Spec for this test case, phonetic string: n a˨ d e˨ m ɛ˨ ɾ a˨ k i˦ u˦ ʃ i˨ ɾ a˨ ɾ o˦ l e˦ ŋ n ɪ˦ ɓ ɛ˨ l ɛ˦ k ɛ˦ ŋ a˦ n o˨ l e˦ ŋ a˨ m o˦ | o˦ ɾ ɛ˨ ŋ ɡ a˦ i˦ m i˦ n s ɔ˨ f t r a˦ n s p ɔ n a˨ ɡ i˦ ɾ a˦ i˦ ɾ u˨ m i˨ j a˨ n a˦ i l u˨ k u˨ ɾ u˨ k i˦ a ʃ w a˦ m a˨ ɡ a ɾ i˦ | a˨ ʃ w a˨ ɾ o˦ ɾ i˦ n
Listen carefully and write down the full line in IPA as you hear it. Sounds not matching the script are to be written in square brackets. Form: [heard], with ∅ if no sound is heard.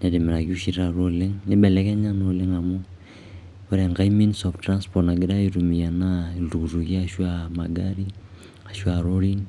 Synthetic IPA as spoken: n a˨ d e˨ m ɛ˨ ɾ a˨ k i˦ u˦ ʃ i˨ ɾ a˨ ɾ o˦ l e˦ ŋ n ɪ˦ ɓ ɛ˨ l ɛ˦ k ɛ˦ [ɲ] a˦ n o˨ l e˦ ŋ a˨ m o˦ | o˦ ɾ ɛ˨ ŋ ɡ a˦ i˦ m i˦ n s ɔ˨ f t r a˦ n s p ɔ n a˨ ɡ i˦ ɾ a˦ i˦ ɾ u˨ m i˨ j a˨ n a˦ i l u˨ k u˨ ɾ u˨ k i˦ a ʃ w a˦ m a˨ ɡ a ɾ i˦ | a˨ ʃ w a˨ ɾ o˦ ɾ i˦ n